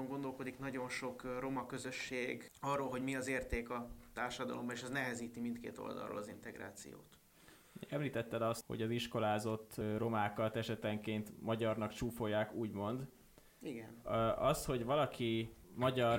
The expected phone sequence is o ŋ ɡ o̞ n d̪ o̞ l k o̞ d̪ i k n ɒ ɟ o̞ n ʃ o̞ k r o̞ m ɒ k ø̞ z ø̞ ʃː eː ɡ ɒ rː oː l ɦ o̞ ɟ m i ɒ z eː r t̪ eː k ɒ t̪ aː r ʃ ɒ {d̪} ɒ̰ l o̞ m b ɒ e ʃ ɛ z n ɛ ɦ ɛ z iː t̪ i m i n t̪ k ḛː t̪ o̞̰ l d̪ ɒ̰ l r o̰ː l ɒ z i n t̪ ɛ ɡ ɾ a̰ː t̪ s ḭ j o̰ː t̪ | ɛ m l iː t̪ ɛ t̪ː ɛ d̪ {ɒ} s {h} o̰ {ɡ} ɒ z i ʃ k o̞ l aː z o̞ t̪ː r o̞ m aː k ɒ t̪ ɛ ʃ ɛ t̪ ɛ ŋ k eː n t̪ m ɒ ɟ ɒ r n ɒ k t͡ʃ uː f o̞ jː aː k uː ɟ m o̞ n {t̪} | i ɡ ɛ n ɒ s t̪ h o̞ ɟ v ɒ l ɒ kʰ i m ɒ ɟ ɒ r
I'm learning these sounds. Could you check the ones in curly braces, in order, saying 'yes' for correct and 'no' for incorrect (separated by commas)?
yes, yes, yes, no, no